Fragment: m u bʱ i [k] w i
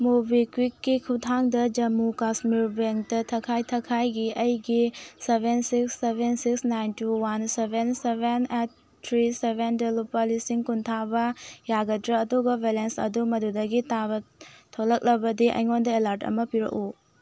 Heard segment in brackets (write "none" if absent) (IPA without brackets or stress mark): k